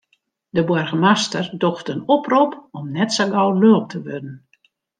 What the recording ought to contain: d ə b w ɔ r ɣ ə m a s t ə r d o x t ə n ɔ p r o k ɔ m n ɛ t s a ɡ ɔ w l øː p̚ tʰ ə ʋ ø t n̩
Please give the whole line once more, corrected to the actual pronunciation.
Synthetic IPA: d ə b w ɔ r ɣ ə m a s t ə r d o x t ə n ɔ p r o p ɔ m n ɛ t s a ɡ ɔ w l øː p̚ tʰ ə ʋ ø d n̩